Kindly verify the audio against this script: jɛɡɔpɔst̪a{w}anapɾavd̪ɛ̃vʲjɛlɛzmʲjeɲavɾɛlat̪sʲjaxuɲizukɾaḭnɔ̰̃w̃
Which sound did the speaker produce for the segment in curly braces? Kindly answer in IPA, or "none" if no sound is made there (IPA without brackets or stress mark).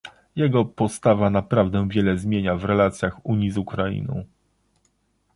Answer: v